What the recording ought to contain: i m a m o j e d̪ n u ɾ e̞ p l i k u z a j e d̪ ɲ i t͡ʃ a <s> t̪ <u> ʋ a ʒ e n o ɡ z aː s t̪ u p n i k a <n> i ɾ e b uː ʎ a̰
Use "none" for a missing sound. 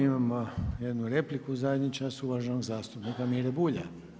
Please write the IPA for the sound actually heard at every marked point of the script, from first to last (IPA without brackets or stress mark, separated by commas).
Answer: s, u, m